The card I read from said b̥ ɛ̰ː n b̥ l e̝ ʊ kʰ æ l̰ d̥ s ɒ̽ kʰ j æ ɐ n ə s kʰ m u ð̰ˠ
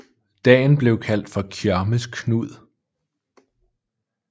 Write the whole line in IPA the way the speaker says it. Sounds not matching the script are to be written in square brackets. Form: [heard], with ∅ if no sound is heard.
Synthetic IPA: [d̥] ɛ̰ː n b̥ l e̝ ʊ kʰ æ l̰ d̥ [f] ɒ̽ kʰ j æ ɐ [m] ə s kʰ [n] u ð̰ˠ